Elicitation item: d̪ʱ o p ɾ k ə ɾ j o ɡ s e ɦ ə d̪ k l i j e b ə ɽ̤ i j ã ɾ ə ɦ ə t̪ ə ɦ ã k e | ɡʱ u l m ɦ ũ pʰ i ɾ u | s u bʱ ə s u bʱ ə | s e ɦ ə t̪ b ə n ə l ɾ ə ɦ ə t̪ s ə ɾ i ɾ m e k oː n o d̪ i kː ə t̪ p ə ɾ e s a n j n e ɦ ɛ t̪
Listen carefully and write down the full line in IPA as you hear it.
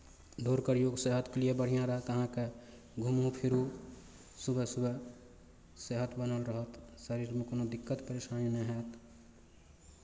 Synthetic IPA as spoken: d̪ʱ o ɾ k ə ɾ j o ɡ s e ɦ ə t̪ k l i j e b ə ɽ̤ i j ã ɾ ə ɦ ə t̪ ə ɦ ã k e | ɡʱ u m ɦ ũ pʰ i ɾ u | s u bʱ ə s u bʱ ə | s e ɦ ə t̪ b ə n ə l ɾ ə ɦ ə t̪ s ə ɾ i ɾ m e k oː n o d̪ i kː ə t̪ p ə ɾ e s a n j n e ɦ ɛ t̪